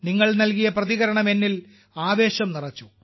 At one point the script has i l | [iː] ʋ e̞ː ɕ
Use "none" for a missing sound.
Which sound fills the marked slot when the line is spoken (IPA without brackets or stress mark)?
aː